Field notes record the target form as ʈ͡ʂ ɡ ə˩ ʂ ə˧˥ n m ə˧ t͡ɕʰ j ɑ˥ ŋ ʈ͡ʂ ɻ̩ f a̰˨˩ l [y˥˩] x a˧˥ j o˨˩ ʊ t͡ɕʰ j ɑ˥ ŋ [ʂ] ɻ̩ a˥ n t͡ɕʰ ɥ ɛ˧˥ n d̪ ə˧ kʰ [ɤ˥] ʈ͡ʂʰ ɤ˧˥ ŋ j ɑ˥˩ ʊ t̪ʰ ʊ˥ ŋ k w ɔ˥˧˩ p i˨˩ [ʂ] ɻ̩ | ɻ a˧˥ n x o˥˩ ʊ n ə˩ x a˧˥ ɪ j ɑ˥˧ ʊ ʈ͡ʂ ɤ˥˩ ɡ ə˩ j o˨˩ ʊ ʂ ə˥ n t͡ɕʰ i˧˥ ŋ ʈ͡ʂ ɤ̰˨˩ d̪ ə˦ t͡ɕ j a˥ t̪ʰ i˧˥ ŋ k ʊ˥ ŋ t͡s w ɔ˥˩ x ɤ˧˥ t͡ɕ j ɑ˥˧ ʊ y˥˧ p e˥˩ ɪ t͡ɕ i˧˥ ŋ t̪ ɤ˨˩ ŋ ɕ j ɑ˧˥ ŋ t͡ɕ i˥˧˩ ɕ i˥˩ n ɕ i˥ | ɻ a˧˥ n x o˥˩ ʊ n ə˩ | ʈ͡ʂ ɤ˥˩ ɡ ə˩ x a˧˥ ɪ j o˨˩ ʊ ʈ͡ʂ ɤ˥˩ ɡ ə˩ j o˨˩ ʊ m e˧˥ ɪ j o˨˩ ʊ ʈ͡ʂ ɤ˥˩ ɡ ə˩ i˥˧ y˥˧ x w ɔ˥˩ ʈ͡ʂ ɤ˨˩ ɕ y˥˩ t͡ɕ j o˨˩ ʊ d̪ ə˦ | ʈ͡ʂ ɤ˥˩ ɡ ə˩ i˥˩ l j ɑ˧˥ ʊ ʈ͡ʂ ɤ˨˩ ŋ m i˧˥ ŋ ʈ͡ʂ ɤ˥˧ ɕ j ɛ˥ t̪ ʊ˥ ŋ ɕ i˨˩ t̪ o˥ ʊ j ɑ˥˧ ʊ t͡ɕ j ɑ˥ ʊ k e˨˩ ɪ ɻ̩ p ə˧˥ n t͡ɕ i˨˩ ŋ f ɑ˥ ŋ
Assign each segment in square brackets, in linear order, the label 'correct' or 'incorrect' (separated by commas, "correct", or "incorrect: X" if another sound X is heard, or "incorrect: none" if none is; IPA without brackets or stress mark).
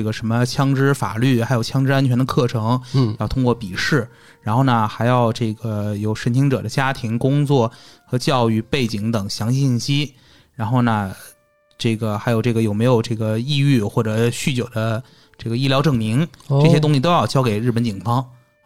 correct, incorrect: ʈ͡ʂ, incorrect: ɤ˥˩, correct